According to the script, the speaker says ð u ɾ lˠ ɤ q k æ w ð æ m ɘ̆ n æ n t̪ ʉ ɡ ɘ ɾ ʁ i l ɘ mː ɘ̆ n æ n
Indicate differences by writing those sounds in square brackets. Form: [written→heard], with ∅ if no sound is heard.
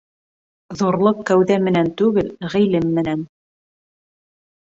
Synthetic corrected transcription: ð u ɾ lˠ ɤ q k æ w ð æ m ɘ̆ n æ n t̪ ʉ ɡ ɘ [ɾ→l] ʁ i l ɘ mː ɘ̆ n æ n

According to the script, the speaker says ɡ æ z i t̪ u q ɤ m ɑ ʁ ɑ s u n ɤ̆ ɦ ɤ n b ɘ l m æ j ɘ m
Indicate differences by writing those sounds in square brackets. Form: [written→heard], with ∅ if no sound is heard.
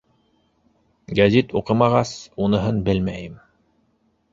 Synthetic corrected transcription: ɡ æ z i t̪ u q ɤ m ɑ ʁ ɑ s u n ɤ̆ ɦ ɤ n b ɘ l m æ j ɘ m

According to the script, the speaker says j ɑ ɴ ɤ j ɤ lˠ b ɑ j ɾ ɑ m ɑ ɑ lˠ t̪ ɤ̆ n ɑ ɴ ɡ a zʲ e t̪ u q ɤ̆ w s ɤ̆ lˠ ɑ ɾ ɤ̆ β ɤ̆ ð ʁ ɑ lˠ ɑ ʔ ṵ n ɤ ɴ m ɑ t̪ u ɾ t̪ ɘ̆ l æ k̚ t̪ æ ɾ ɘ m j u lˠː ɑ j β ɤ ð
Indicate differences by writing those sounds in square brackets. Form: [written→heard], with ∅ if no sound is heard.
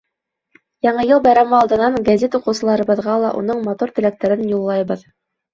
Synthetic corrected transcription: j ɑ ɴ ɤ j ɤ lˠ b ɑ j ɾ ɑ m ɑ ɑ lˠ [t̪→d̪] ɤ̆ n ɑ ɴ ɡ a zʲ e t̪ u q ɤ̆ w s ɤ̆ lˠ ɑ ɾ ɤ̆ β ɤ̆ ð ʁ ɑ lˠ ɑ ʔ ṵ n ɤ ɴ m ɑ t̪ u ɾ t̪ ɘ̆ l æ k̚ t̪ æ ɾ ɘ [m→n] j u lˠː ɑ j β ɤ ð

